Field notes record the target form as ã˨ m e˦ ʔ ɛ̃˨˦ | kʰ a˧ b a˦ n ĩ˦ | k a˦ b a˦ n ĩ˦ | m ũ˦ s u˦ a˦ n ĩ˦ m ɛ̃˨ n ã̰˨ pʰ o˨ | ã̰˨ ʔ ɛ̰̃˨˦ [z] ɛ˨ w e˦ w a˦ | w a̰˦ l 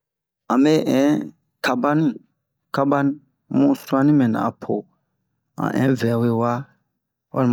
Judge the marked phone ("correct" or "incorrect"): incorrect